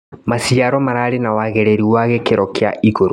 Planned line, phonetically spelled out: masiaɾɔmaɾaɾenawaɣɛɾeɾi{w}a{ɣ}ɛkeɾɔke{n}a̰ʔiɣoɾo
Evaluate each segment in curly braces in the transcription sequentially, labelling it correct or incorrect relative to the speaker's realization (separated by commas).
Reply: correct, correct, incorrect